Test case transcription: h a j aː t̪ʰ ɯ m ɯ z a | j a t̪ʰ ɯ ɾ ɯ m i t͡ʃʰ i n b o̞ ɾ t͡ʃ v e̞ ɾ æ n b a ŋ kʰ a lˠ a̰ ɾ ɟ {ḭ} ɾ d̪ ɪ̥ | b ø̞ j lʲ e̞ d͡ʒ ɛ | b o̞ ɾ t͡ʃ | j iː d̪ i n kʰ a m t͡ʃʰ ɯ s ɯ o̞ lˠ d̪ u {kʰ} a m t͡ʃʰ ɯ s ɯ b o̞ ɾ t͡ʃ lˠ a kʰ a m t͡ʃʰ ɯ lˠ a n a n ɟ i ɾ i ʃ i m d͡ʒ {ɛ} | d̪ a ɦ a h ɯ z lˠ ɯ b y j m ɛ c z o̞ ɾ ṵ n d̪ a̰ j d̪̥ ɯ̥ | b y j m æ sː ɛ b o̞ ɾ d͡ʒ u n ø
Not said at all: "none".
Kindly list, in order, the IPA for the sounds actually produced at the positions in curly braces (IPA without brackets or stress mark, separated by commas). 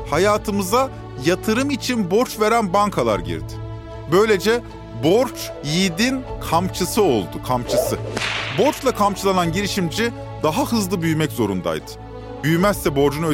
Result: ḭ, kʰ, i